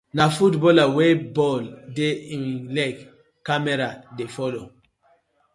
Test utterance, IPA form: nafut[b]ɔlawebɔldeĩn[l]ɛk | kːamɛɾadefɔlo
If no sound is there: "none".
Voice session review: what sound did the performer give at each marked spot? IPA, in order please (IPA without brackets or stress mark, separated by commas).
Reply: b, l